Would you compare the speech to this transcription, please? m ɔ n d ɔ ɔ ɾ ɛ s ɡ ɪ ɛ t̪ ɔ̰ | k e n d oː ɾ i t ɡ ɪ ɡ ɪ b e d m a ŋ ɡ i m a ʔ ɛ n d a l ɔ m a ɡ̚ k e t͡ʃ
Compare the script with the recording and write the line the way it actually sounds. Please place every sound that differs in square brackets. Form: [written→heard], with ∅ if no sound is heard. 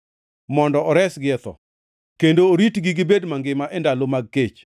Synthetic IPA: m ɔ n d ɔ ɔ ɾ ɛ s ɡ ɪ ɛ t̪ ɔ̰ | k e n d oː ɾ i t ɡ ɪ ɡ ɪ b e d m a ŋ ɡ [i→ɪ] m a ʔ ɛ n d a l [ɔ→o] m a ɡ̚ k e t͡ʃ